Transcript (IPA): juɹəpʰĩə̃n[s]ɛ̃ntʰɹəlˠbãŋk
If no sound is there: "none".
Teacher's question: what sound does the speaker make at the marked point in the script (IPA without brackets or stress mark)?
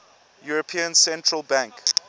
s